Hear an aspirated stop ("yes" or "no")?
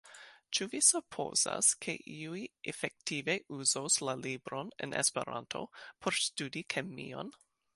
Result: yes